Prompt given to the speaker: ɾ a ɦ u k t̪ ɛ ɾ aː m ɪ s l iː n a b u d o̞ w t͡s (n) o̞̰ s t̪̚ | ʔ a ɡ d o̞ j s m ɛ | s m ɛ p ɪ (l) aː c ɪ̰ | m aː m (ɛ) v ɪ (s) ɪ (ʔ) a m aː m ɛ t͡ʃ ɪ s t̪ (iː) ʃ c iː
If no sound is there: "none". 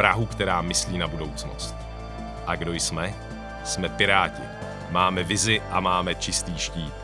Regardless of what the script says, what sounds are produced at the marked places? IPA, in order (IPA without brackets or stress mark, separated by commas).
n, ɾ, ɛ, z, ʔ, iː